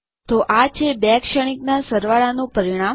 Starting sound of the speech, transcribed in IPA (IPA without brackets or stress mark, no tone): t̪